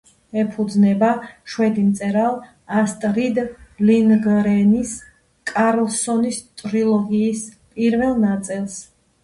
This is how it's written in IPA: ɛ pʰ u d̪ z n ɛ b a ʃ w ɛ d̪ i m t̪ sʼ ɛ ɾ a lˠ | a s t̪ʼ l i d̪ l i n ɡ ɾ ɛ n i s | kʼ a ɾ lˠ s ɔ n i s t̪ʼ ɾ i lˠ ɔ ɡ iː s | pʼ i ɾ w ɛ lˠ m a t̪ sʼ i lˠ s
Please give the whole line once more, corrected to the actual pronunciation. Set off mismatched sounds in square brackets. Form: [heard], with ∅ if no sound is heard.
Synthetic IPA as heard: ɛ pʰ u d̪ z n ɛ b a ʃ w ɛ d̪ i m t̪ sʼ ɛ ɾ a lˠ | a s t̪ʼ [ɾ] i d̪ l i n ɡ ɾ ɛ n i s | kʼ a ɾ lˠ s ɔ n i s t̪ʼ ɾ i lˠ ɔ ɡ iː s | pʼ i ɾ [v] ɛ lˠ [n] a t̪ sʼ i lˠ s